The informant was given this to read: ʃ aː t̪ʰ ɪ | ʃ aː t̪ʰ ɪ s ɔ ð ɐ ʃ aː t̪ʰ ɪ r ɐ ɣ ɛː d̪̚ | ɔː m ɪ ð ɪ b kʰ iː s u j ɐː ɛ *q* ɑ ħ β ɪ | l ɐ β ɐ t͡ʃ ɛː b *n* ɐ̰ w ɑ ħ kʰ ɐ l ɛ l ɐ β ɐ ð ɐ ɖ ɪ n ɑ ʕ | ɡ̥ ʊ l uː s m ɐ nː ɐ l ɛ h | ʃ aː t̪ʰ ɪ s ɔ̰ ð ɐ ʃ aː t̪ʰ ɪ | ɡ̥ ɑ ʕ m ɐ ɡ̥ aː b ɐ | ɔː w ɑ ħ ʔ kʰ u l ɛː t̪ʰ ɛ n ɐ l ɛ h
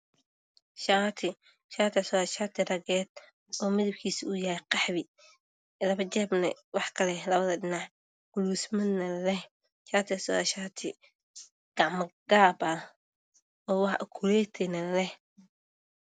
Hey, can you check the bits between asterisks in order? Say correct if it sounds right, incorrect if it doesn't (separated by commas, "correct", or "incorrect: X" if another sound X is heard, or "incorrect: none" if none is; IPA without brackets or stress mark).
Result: correct, correct